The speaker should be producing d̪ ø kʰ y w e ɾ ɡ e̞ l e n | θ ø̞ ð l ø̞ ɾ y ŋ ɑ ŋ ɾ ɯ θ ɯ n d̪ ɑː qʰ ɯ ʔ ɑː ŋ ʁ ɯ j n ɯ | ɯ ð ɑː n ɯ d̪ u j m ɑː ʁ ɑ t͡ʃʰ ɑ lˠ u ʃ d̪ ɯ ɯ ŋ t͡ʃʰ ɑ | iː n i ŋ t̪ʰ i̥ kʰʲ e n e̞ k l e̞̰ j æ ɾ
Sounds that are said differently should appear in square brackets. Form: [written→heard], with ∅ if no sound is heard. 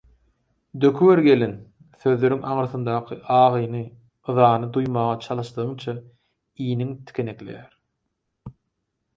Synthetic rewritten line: d̪ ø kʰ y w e ɾ ɡ e̞ l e n | θ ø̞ ð l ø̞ ɾ y ŋ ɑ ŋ ɾ ɯ θ ɯ n d̪ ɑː qʰ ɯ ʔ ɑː [ŋ→∅] ʁ ɯ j n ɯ | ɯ ð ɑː n ɯ d̪ u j m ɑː ʁ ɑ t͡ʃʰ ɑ lˠ [u→ɯ] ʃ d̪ ɯ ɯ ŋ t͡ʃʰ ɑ | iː n i ŋ t̪ʰ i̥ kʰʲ e n e̞ k l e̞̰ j æ ɾ